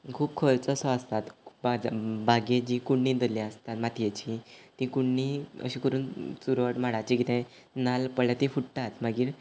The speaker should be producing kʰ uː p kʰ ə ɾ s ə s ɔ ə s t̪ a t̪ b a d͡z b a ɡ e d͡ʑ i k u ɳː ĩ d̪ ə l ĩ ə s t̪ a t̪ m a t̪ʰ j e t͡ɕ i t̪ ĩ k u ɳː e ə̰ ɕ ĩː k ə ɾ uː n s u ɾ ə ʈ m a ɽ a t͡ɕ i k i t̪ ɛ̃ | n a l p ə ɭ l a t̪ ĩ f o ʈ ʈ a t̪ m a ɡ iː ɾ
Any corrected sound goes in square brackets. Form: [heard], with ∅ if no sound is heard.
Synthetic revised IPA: kʰ uː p kʰ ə ɾ [t͡s] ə s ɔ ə s t̪ a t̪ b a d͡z b a ɡ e d͡ʑ i k u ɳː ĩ d̪ ə l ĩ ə s t̪ a t̪ m a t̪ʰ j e t͡ɕ i t̪ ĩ k u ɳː [i] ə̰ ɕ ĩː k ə ɾ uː n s u ɾ ə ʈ m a ɽ a t͡ɕ i k i t̪ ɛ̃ | n a l p ə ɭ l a t̪ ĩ f [u] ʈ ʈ a t̪ m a ɡ iː ɾ